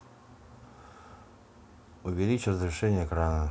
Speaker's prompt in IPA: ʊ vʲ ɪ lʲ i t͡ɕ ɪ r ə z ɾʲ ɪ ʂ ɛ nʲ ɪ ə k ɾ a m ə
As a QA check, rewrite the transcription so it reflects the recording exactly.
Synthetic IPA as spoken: ʊ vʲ ɪ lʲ i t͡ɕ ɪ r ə z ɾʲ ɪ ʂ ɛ nʲ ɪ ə k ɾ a n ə